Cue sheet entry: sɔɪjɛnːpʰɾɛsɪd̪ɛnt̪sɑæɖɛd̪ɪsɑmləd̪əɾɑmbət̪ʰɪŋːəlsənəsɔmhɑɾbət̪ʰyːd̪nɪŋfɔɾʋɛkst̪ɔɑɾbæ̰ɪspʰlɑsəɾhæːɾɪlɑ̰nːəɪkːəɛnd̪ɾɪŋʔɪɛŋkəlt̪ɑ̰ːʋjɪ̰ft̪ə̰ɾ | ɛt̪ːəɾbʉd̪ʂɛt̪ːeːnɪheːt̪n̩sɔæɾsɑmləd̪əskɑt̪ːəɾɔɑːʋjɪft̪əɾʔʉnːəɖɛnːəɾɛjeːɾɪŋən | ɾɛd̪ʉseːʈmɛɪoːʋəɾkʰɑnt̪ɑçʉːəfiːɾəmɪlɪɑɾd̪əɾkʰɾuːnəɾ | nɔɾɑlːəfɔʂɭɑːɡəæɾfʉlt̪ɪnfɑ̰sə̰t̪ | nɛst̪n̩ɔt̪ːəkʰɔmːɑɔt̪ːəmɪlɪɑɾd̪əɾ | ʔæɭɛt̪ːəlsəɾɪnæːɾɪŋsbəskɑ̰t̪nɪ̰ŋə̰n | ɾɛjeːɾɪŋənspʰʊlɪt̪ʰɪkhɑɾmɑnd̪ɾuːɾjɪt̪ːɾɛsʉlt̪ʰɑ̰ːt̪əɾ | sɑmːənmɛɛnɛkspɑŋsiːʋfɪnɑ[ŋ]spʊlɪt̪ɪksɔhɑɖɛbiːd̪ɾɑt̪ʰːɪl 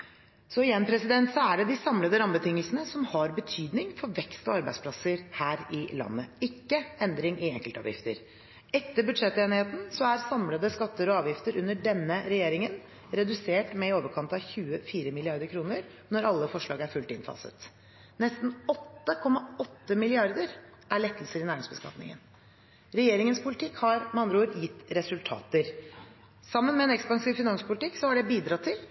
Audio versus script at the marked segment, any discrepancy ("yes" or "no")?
yes